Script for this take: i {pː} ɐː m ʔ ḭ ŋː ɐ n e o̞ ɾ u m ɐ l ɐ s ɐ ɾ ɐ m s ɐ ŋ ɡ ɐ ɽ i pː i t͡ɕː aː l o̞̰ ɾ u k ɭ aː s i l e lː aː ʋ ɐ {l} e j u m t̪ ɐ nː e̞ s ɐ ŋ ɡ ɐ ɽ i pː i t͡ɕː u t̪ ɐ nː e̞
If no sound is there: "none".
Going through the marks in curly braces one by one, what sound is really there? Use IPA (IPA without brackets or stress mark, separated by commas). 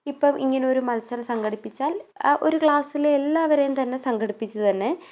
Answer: pː, ɾ